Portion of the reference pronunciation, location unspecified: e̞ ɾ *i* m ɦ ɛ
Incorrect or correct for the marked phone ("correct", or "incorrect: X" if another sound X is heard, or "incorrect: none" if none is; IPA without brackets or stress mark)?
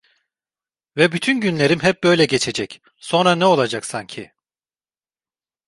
correct